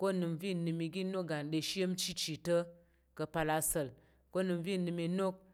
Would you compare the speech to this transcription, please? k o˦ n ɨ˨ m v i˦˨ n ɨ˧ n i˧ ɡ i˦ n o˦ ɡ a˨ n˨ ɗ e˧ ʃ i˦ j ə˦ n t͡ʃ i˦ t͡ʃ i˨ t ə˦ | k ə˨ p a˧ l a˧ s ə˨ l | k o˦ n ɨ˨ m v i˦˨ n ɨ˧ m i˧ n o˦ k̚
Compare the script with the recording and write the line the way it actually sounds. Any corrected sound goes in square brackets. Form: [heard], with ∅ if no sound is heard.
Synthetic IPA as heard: k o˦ n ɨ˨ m v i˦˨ n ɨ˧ [m] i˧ ɡ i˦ n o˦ ɡ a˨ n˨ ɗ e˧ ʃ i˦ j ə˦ [m] t͡ʃ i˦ t͡ʃ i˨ t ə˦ | k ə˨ p a˧ l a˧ s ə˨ l | k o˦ n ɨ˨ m v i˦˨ n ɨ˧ m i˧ n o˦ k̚